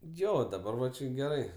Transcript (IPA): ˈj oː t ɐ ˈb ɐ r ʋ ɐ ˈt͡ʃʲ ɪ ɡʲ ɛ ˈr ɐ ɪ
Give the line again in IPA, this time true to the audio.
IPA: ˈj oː d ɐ ˈb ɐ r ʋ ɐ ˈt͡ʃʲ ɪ ɡʲ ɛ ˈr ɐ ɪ